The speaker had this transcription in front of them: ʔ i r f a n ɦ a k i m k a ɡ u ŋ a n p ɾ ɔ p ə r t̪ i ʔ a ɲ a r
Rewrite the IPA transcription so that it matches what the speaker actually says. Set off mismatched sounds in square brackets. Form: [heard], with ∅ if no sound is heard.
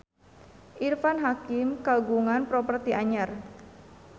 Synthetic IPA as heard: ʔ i r f a n ɦ a k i m k a ɡ u ŋ a n p ɾ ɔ p ə r t̪ i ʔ a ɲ a r